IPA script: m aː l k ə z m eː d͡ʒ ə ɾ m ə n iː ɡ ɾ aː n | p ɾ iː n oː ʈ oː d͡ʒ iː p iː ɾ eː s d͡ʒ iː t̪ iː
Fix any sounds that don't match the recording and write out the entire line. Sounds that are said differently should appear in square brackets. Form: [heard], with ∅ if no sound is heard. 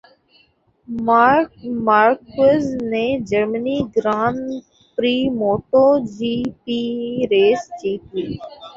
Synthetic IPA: m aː [ɾ] k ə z [n] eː d͡ʒ ə ɾ m ə n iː ɡ ɾ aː n | p ɾ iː [m] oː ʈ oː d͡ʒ iː p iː ɾ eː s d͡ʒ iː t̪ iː